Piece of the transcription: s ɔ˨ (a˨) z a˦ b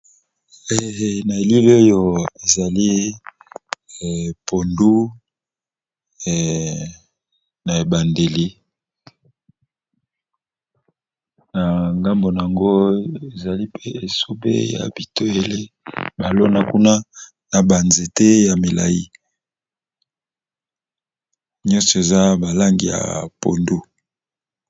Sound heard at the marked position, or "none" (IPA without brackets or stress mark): e˨